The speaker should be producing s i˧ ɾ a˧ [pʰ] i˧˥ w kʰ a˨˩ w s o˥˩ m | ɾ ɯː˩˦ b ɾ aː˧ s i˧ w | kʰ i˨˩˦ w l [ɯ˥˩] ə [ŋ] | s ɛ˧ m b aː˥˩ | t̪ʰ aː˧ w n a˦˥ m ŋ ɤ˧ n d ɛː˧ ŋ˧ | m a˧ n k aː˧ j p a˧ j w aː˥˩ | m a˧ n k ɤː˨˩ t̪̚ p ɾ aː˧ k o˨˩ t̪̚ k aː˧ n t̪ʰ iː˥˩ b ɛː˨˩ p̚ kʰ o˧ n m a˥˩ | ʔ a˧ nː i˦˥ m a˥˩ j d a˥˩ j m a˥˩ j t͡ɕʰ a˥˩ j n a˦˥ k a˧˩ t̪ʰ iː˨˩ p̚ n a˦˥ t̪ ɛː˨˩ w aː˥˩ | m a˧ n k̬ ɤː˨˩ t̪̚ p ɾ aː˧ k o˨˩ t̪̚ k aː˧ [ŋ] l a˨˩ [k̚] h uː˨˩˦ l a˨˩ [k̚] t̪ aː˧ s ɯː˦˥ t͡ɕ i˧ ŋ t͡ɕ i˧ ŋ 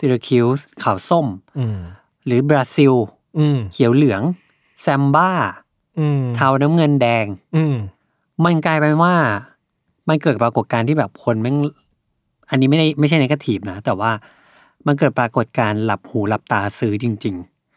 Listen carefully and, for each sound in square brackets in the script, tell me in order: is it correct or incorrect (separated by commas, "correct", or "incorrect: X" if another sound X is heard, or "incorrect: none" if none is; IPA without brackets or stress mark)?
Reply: incorrect: kʰ, incorrect: ɯ˨˩˦, correct, incorrect: n, incorrect: p̚, incorrect: p̚